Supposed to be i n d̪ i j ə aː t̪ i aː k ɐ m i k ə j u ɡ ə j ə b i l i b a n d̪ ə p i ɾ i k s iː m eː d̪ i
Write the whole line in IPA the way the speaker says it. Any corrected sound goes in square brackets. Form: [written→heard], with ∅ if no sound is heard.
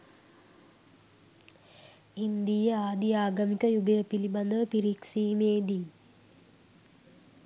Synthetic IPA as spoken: i n d̪ i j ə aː [t̪→d̪] i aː [k→ɡ] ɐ m i k ə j u ɡ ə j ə [b→p] i l i b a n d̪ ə p i ɾ i k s iː m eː d̪ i